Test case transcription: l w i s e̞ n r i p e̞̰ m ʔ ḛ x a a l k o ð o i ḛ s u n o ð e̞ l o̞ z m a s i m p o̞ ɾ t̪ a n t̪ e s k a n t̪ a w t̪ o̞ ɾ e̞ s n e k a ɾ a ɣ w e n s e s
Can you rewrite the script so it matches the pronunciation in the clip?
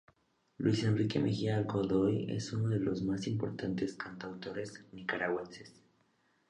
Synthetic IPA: l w i s e̞ n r i k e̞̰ m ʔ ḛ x i a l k o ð o j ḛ s u n o ð e̞ l o̞ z m a s i m p o̞ ɾ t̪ a n t̪ e s k a n t̪ a w t̪ o̞ ɾ e̞ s n i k a ɾ a ɣ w e n s e s